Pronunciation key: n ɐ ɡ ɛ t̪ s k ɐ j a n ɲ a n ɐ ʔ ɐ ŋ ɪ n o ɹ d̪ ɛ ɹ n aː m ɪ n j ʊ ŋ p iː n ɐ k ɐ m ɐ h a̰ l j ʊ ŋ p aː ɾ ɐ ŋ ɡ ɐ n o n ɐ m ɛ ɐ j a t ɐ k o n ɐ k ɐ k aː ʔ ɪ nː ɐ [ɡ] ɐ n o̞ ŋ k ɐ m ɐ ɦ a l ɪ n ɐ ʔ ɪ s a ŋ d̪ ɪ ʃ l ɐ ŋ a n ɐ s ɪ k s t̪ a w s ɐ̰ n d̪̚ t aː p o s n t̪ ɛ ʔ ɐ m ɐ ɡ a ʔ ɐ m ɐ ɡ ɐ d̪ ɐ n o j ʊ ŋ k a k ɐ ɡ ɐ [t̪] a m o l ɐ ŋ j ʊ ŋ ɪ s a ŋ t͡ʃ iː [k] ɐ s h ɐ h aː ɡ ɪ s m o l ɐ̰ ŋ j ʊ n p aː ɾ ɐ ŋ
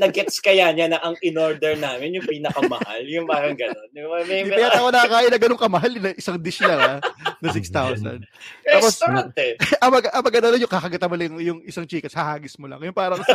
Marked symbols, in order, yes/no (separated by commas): yes, yes, yes